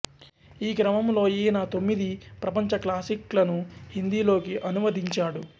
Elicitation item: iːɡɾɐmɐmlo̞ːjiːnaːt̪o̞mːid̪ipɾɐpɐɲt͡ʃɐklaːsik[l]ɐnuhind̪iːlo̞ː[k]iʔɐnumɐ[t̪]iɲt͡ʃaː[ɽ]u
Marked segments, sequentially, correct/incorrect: correct, correct, incorrect, correct

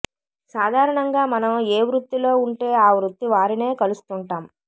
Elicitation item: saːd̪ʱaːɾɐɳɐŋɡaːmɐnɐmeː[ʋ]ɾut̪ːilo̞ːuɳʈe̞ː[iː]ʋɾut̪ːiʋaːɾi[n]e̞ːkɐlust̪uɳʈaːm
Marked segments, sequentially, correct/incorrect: correct, incorrect, correct

